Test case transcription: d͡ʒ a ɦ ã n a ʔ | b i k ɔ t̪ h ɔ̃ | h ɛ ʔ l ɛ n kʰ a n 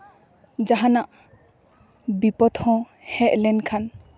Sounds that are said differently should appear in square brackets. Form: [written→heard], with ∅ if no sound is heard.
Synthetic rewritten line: d͡ʒ a ɦ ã n a ʔ | b i [k→p] ɔ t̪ h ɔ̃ | h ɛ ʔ l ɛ n kʰ a n